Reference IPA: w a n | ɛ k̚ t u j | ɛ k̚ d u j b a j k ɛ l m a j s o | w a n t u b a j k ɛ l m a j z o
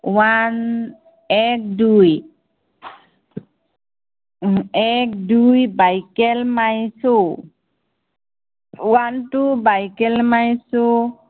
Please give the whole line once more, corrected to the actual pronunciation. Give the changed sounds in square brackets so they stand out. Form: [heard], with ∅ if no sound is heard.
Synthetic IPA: w a n | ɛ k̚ [d] u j | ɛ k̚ d u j b a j k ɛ l m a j s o | w a n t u b a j k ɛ l m a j [s] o